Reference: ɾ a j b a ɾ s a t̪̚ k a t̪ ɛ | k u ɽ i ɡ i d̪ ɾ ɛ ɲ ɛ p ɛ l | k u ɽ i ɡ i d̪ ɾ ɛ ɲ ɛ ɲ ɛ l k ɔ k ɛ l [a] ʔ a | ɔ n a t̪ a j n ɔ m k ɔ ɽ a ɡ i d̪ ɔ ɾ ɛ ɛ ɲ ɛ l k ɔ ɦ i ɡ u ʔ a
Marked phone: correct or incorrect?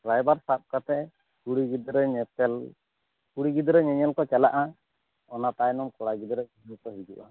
correct